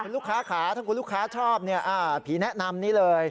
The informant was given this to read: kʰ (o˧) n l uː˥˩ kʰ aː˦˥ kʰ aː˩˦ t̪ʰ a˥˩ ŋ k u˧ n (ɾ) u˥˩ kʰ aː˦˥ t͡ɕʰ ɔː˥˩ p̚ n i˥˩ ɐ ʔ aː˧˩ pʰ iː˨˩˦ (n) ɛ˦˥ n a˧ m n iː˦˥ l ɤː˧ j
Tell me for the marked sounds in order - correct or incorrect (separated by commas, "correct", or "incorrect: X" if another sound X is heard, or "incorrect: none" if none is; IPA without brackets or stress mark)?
incorrect: u˧, incorrect: l, correct